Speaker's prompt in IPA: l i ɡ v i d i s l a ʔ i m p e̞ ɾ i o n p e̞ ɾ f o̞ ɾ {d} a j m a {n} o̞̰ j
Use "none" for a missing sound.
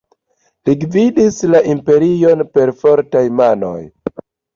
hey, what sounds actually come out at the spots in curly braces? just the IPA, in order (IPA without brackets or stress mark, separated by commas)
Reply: t, n